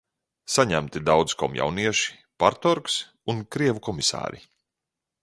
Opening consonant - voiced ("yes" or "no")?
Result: no